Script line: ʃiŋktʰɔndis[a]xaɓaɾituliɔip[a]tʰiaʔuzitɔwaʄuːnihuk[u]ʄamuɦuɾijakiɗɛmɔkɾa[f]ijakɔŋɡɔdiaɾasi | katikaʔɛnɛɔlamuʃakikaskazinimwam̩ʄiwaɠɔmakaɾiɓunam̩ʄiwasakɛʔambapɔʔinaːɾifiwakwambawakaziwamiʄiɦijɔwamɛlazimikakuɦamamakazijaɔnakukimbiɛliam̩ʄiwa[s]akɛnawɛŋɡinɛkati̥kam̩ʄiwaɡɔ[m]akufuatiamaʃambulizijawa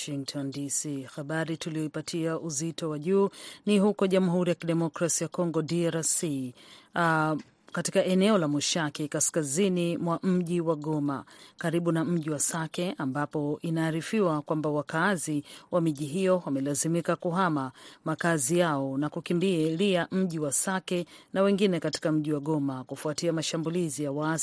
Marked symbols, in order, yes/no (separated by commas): no, yes, no, no, yes, yes